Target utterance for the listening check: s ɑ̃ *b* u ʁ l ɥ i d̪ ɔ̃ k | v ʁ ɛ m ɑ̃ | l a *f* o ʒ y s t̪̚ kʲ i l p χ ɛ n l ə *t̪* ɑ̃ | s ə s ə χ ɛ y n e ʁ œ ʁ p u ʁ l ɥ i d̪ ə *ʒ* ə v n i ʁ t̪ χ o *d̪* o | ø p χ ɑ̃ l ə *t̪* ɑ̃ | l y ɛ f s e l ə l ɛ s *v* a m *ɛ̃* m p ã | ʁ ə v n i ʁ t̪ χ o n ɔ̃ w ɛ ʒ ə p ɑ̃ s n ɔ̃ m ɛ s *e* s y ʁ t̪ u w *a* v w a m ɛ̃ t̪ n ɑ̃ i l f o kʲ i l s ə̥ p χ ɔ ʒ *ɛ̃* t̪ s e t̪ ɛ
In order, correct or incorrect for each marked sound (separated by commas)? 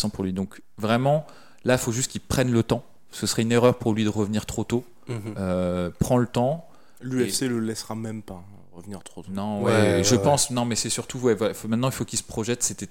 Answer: incorrect, correct, correct, incorrect, incorrect, correct, incorrect, incorrect, incorrect, incorrect, incorrect